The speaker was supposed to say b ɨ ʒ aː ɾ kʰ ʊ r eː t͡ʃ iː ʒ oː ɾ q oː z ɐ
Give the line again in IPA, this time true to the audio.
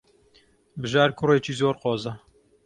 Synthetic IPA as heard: b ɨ ʒ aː ɾ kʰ ʊ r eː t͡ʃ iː z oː ɾ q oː z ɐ